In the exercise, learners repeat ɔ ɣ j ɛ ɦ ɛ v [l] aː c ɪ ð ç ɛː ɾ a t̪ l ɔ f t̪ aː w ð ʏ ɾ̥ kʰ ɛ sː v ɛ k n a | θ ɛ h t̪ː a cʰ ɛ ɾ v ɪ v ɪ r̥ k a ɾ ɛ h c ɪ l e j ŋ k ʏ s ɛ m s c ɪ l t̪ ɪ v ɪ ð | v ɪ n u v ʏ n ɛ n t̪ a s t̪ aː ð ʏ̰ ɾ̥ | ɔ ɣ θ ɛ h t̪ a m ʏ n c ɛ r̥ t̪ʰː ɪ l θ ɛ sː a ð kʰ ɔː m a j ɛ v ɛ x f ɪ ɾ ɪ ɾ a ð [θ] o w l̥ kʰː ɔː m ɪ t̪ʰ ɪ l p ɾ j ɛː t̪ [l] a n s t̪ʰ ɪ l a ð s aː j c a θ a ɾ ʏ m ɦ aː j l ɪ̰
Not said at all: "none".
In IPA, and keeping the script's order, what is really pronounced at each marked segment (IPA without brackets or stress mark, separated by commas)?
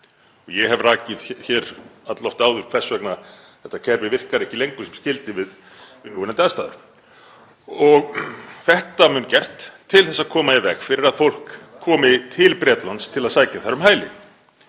r, f, l